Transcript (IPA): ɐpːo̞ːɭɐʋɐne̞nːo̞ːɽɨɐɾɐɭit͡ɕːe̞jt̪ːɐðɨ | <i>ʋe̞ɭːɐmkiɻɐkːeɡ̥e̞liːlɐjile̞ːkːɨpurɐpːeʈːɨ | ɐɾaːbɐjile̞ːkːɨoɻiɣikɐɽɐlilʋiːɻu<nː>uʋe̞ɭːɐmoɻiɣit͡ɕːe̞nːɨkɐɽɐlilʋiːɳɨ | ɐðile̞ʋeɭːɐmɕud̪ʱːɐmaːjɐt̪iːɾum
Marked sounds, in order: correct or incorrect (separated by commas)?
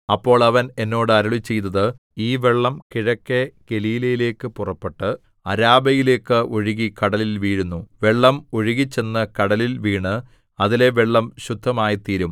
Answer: incorrect, correct